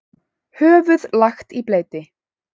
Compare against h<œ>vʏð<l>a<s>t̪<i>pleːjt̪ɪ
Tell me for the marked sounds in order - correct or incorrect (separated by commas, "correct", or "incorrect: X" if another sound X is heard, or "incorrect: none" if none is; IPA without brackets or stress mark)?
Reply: incorrect: œː, correct, incorrect: x, correct